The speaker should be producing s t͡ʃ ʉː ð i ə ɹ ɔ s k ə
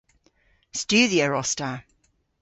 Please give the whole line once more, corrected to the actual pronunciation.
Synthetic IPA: s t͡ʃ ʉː ð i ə ɹ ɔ s t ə

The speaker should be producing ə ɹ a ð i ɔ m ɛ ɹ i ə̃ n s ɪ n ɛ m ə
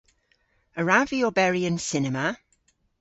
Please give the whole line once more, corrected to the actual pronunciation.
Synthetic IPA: ə ɹ a v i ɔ b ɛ ɹ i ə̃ n s ɪ n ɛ m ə

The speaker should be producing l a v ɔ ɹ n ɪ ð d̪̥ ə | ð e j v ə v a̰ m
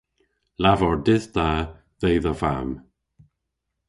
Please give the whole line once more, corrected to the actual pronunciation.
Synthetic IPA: l a v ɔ ɹ d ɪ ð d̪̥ a | ð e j ð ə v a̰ m

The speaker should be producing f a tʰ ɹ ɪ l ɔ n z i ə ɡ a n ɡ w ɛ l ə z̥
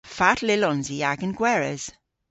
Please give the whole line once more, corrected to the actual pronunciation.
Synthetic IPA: f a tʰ l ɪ l ɔ n z i a ɡ ə n ɡ w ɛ ɹ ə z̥

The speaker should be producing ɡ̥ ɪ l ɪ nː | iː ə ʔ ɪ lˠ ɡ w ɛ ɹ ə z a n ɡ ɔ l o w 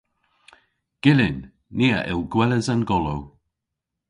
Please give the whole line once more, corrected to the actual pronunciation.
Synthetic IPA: ɡ̥ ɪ l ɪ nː | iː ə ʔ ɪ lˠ ɡ w ɛ l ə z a n ɡ ɔ l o w

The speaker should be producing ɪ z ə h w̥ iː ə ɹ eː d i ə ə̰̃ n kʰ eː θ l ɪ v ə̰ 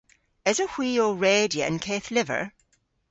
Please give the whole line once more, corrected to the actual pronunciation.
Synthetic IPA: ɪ z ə h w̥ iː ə ɹ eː d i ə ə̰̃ n kʰ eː θ l ɪ v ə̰

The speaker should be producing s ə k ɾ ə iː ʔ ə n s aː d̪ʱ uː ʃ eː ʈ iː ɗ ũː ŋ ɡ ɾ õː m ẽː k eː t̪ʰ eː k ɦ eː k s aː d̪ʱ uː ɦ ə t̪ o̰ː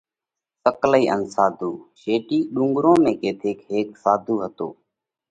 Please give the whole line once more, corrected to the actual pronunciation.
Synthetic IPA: s ə k l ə iː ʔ ə n s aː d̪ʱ uː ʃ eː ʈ iː ɗ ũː ŋ ɡ ɾ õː m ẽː k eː t̪ʰ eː k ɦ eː k s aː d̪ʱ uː ɦ ə t̪ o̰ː

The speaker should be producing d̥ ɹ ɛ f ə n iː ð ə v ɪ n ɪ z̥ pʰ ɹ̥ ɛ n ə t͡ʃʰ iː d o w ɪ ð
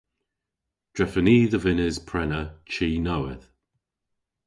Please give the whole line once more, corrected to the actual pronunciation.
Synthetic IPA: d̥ ɹ ɛ f ə n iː ð ə v ɪ n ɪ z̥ pʰ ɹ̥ ɛ n ə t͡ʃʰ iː n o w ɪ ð

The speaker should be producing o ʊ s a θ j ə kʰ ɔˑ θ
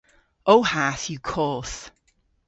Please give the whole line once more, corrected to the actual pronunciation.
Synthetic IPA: o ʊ h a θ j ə kʰ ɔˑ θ

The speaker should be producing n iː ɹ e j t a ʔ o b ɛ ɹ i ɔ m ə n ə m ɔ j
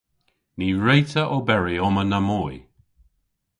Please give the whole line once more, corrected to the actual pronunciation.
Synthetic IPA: n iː ɹ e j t ə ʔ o b ɛ ɹ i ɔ m ə n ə m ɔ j

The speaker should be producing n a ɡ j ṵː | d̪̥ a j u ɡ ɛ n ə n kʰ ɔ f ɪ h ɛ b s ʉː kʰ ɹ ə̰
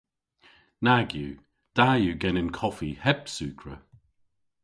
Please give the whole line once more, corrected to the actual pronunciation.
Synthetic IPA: n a ɡ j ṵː | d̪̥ a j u ɡ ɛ n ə n kʰ ɔ f i h ɛ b s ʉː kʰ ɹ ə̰

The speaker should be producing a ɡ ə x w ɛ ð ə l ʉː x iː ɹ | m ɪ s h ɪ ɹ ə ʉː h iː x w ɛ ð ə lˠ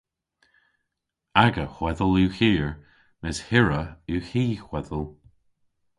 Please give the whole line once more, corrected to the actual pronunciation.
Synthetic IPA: a ɡ ə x w ɛ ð ə l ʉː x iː ɹ | m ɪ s h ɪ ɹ ə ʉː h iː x w ɛ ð ə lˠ

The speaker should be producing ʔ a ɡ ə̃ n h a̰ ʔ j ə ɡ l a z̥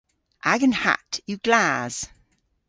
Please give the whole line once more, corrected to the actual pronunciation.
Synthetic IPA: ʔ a ɡ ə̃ n h a̰ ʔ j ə ɡ l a z̥

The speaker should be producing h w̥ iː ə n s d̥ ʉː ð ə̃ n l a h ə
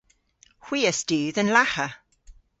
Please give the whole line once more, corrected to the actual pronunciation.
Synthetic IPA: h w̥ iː ə s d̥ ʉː ð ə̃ n l a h ə

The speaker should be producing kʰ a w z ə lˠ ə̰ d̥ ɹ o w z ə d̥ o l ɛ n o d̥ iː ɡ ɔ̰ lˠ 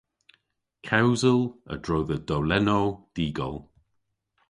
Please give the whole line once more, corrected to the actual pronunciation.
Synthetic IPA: kʰ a w z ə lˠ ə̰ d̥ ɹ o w ð ə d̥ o l ɛ n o d̥ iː ɡ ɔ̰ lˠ

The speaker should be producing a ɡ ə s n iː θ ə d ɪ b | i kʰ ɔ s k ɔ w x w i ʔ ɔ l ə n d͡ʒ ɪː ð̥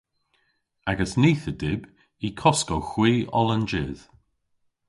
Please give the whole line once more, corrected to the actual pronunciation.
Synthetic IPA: a ɡ ə s n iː θ ə d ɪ b | i kʰ ɔ s k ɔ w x w iː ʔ ɔ l ə n d͡ʒ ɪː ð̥

